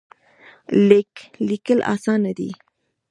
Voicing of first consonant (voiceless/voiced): voiced